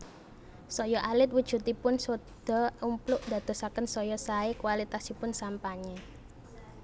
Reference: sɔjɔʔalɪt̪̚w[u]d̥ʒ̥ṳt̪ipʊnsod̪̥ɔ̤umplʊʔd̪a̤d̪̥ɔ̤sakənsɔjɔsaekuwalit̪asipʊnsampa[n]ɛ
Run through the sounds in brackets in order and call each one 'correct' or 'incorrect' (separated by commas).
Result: correct, incorrect